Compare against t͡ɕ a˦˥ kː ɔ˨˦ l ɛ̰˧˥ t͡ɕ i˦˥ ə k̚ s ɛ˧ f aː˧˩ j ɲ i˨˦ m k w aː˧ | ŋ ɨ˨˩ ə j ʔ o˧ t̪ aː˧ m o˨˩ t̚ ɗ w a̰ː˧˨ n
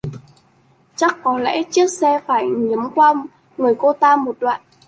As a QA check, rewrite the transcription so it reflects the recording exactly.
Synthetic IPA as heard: t͡ɕ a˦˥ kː ɔ˨˦ l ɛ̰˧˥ t͡ɕ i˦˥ ə k̚ s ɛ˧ f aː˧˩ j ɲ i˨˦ m k w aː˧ | ŋ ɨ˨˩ ə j k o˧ t̪ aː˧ m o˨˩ t̚ ɗ w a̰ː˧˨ n